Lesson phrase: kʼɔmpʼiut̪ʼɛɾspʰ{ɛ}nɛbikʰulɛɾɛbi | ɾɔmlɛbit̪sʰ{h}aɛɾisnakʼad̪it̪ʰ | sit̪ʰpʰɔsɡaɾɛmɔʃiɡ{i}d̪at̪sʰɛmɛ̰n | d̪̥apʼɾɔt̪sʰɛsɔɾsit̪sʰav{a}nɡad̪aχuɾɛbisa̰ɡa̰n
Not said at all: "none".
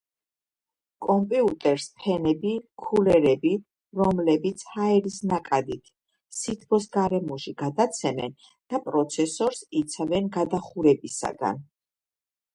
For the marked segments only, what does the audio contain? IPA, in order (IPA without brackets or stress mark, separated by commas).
ɛ, h, a, ɛ